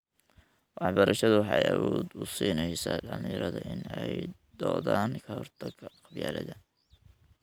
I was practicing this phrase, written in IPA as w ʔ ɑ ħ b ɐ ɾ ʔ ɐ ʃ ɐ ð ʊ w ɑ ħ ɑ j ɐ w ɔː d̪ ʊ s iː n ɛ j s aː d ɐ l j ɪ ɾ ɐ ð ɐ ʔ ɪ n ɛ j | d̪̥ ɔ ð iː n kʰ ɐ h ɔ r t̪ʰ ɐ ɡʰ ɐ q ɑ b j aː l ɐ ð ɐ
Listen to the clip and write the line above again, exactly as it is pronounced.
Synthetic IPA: w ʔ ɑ ħ b ɐ ɾ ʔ ɐ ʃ ɐ ð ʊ w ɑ ħ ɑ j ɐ w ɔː d̪ ʊ s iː n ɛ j s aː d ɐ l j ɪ ɾ ɐ ð ɐ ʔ ɪ n ɛ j | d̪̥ ɔː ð aː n kʰ ɐ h ɔ r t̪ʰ ɐ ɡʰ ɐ q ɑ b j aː l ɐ ð ɐ